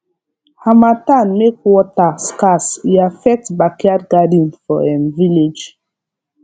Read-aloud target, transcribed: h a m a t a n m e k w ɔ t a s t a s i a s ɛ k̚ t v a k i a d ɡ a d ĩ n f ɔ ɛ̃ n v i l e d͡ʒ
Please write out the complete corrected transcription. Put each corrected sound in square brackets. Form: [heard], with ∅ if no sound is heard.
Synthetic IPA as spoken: h a m a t a n m e k w ɔ t a s [k] a s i a [f] ɛ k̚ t [b] a k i a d ɡ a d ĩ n f ɔ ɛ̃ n v i l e d͡ʒ